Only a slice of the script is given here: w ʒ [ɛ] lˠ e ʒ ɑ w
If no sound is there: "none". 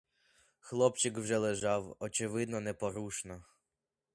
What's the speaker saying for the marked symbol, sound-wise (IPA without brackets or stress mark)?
ɛ